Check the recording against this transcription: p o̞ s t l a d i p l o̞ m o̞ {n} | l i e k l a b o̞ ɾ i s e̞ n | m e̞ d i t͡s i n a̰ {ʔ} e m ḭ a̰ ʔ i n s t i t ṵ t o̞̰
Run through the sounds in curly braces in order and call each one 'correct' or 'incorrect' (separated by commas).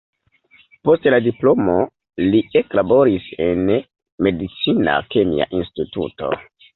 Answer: incorrect, incorrect